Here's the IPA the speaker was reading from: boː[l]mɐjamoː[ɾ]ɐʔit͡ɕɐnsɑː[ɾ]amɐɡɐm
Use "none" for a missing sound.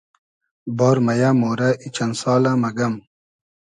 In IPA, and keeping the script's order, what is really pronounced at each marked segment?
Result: ɾ, ɾ, l

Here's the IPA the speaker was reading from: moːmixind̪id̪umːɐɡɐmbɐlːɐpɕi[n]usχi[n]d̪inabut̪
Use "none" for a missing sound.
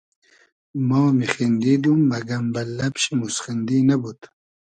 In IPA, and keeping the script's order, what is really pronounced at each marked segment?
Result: m, n

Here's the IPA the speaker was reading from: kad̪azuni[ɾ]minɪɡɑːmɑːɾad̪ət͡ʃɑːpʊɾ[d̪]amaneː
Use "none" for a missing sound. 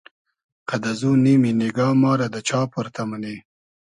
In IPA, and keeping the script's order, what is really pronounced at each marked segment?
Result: none, t̪

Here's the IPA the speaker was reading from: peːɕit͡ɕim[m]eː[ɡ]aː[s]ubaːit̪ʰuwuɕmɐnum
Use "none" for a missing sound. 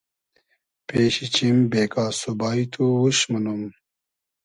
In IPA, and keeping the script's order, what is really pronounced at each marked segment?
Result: b, k, s

